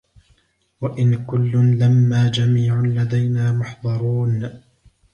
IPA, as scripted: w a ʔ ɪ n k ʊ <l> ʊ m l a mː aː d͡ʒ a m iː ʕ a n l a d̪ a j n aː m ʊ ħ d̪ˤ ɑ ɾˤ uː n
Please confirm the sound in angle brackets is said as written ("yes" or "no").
no